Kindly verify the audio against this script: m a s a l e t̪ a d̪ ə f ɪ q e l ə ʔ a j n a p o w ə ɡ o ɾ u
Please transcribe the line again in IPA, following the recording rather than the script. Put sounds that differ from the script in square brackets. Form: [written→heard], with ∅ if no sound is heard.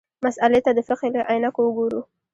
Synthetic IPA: m a s a l e t̪ a d̪ ə f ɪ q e l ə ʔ a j n a [p→k] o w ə ɡ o ɾ u